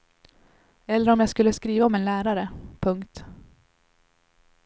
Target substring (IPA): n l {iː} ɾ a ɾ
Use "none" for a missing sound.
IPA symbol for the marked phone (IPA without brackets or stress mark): æː